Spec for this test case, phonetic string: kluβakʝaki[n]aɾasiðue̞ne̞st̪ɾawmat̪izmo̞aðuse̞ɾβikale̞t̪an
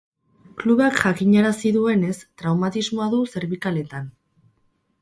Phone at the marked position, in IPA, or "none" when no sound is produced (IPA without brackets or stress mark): ɲ